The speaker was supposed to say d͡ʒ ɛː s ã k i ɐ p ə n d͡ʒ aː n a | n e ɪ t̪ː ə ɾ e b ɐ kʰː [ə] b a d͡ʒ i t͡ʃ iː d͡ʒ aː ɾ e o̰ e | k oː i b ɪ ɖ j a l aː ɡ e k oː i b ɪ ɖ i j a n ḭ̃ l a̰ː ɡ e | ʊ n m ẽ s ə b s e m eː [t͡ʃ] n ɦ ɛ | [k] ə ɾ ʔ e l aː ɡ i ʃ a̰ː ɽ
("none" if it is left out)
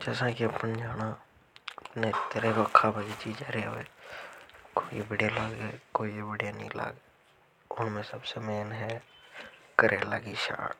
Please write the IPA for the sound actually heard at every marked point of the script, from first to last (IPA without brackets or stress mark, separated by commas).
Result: a, none, k